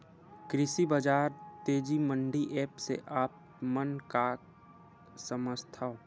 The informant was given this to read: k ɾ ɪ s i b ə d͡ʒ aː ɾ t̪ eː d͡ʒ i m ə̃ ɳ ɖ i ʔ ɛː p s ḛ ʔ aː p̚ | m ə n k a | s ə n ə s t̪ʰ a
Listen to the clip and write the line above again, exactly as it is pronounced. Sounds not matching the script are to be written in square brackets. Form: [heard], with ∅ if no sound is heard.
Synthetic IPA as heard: k ɾ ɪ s i b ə d͡ʒ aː ɾ t̪ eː d͡ʒ i m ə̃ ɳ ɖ i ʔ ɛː p s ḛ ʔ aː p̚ | m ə n k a | s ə [m] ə s t̪ʰ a

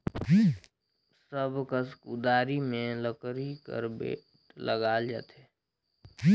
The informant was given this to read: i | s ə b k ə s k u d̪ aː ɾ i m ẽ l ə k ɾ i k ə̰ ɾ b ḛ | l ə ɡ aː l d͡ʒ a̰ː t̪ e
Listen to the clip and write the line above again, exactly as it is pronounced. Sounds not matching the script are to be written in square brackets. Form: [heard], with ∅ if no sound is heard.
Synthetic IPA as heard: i | s ə b k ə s k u d̪ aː ɾ i m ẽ l ə k ɾ i k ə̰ ɾ b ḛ | l ə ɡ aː l d͡ʒ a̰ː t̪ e

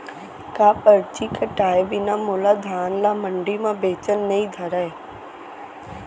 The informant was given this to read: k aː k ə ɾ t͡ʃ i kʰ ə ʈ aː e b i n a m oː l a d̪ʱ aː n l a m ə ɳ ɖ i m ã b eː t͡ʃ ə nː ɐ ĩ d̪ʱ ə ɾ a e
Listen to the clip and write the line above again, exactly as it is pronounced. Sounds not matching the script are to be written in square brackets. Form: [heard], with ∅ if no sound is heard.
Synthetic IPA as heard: k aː [p] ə ɾ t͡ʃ i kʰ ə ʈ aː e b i n a m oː l a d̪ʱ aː n l a m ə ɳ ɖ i m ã b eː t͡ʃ ə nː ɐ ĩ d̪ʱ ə ɾ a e

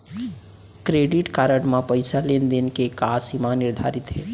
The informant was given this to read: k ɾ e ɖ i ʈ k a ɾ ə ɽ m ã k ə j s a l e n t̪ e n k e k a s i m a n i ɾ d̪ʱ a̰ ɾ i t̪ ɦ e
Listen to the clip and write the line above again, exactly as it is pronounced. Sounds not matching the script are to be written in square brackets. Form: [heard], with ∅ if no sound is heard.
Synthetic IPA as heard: k ɾ e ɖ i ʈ k a ɾ ə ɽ m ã [p] ə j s a l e n [d̪] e n k e k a s i m a n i ɾ d̪ʱ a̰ ɾ i t̪ ɦ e

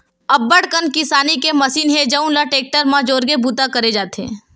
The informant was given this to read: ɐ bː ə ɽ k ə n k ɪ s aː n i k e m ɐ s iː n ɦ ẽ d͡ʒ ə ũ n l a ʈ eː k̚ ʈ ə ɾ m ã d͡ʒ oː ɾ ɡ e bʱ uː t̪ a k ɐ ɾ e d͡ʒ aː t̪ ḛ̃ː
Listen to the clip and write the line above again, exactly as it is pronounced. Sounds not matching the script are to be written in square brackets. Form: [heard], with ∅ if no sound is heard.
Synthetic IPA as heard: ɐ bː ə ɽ k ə n k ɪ s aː n i k e m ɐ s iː n ɦ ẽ d͡ʒ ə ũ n l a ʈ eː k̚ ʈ ə ɾ m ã d͡ʒ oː ɾ ɡ e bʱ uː t̪ a k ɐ ɾ e d͡ʒ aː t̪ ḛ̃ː

